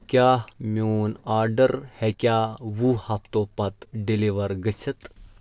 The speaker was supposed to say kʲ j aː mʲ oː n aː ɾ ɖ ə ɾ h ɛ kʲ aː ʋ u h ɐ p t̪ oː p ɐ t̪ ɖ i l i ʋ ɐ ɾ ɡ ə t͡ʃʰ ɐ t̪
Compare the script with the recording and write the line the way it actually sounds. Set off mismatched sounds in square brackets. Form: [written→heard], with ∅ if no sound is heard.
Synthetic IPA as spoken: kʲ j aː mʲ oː n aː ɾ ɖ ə ɾ h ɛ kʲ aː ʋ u h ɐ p t̪ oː p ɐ t̪ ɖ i l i ʋ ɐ ɾ ɡ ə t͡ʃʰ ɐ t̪

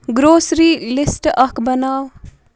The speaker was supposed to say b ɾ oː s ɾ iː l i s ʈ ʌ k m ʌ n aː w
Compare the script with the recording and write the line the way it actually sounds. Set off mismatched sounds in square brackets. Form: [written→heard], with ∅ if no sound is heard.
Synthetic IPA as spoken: [b→ɡ] ɾ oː s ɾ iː l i s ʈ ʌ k [m→b] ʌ n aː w

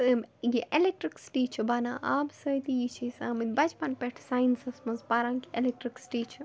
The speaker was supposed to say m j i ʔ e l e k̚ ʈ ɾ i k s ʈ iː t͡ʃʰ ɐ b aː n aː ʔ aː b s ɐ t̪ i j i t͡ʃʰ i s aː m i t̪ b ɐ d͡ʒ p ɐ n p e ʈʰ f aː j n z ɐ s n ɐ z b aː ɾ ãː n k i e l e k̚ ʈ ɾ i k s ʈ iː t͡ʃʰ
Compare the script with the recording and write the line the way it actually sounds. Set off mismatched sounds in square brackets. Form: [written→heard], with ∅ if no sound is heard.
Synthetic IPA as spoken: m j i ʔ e l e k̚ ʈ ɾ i k s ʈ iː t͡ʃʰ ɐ b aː n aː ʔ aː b s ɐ t̪ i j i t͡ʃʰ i s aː m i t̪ b ɐ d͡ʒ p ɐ n p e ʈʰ [f→s] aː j n [z→s] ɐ s [n→m] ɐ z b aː ɾ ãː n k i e l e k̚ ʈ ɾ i k s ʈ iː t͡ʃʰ

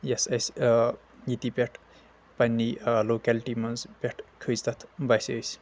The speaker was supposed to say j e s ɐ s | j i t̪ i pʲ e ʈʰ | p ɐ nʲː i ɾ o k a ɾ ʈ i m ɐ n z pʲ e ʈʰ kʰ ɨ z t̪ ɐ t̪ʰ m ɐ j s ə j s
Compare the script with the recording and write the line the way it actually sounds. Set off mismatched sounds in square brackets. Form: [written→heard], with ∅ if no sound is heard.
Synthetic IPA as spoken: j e s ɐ s | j i t̪ i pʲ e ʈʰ | p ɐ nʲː i [ɾ→l] o k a [ɾ→l] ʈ i m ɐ n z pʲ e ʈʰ kʰ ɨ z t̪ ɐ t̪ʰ [m→b] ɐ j s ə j s

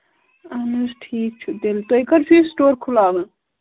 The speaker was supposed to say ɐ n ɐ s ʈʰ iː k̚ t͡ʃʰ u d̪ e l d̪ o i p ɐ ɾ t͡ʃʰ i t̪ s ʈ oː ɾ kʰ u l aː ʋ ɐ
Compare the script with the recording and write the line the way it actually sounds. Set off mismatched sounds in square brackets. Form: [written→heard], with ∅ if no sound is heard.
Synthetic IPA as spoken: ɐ n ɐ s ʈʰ iː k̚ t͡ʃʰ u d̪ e l [d̪→t̪] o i [p→k] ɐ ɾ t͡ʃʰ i [t̪→∅] s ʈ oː ɾ kʰ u l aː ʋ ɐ

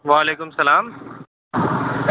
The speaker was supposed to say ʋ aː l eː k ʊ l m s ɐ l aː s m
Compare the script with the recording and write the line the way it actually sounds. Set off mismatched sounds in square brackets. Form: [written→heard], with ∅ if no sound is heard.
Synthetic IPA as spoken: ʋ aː l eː k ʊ [l→∅] m s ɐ l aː [s→∅] m

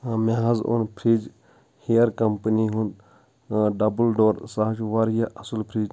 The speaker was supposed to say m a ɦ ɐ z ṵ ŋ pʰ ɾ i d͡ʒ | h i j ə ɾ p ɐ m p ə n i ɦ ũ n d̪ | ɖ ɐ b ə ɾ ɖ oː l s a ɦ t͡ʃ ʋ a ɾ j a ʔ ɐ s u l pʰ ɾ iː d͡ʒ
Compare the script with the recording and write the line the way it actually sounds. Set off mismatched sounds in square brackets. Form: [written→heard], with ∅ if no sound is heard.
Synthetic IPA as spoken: m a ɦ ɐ z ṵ [ŋ→n] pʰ ɾ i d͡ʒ | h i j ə ɾ [p→k] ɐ m p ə n i ɦ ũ n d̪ | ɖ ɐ b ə [ɾ→l] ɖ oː [l→ɾ] s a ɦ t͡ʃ ʋ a ɾ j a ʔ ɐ s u l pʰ ɾ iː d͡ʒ

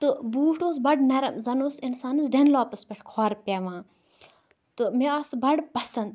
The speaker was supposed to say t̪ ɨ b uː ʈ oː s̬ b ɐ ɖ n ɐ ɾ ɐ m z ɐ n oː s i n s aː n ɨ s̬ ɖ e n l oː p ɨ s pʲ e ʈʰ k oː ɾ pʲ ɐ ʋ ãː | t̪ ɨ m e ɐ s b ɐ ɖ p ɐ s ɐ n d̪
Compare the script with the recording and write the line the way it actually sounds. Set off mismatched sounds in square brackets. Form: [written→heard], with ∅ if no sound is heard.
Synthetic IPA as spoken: t̪ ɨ b uː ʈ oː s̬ b ɐ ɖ n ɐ ɾ ɐ m z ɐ n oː s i n s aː n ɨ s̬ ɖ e n l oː p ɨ s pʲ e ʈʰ [k→kʰ] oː ɾ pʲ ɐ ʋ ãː | t̪ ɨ m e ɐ s b ɐ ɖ p ɐ s ɐ n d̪

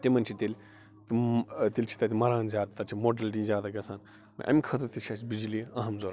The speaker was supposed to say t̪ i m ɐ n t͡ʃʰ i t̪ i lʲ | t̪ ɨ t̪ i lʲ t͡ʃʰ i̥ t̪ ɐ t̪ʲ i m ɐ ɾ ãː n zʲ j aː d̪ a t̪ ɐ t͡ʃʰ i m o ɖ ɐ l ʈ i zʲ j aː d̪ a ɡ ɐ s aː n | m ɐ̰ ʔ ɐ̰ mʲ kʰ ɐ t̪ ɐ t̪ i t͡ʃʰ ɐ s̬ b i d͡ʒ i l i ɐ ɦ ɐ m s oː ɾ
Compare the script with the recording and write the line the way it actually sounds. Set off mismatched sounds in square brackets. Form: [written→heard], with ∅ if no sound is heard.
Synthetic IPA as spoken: t̪ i m ɐ n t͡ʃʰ i t̪ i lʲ | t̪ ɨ t̪ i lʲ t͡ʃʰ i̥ t̪ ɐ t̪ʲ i m ɐ ɾ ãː n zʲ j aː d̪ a t̪ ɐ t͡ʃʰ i m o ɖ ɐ l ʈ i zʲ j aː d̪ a ɡ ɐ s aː n | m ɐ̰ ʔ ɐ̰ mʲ kʰ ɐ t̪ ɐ t̪ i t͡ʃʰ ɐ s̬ b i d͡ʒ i l i ɐ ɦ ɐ m [s→z] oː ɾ

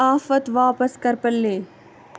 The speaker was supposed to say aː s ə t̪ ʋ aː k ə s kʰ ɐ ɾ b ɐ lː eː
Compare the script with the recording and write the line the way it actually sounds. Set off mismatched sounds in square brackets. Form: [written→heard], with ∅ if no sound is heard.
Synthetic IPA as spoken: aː [s→f] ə t̪ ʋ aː [k→p] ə s [kʰ→k] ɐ ɾ [b→p] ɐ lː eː

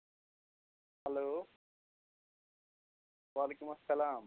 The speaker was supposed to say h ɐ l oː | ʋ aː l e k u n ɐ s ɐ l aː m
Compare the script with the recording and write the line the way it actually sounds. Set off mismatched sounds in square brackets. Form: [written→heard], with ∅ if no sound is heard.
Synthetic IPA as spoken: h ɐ l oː | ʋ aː l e k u [n→m] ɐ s ɐ l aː m

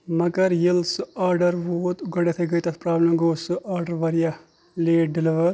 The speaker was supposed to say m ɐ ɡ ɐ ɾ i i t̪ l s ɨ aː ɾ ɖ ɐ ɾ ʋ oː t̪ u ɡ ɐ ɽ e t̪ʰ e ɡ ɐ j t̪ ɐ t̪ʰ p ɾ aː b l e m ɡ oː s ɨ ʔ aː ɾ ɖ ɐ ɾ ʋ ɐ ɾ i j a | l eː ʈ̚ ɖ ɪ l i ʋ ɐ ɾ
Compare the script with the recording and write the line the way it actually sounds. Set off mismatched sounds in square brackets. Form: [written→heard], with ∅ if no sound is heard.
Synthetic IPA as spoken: m ɐ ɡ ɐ ɾ [i→j] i [t̪→∅] l s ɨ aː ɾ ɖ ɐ ɾ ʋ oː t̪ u ɡ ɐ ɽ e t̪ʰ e ɡ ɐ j t̪ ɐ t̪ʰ p ɾ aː b l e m ɡ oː s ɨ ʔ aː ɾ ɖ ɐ ɾ ʋ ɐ ɾ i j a | l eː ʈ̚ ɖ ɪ l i ʋ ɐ ɾ

